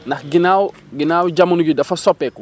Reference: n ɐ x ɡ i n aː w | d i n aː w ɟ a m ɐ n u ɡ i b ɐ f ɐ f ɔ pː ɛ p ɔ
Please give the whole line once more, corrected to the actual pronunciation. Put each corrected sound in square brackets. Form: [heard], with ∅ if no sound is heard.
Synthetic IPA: n ɐ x ɡ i n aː w | [ɡ] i n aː w ɟ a m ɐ n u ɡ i [d] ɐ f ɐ [s] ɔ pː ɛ [k] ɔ